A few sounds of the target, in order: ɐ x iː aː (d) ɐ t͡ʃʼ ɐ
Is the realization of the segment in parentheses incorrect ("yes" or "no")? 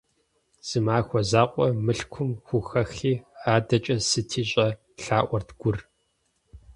no